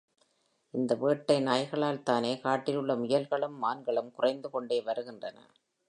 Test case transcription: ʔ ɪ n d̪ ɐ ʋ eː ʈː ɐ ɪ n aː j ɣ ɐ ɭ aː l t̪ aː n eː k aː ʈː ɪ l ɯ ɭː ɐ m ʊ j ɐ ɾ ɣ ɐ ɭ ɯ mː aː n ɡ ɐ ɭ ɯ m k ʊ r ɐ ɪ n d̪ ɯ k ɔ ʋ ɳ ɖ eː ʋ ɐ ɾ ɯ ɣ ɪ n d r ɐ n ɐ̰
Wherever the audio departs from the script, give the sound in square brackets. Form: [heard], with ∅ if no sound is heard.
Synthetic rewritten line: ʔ ɪ n d̪ ɐ ʋ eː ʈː ɐ ɪ n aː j ɣ ɐ ɭ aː l t̪ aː n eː k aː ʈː ɪ l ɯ ɭː ɐ m ʊ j ɐ [l] ɣ ɐ ɭ ɯ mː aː n ɡ ɐ ɭ ɯ m k ʊ r ɐ ɪ n d̪ ɯ k ɔ [∅] ɳ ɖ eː ʋ ɐ ɾ ɯ ɣ ɪ n d r ɐ n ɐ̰